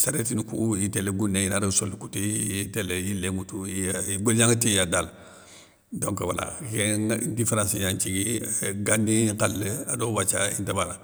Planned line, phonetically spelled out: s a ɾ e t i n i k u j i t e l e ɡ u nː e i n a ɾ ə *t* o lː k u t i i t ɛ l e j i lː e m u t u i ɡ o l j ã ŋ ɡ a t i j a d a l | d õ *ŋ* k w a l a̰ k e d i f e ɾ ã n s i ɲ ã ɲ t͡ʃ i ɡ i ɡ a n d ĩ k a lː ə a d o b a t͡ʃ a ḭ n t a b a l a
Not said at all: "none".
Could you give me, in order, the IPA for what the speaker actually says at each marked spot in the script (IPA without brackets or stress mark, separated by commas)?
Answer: s, ŋ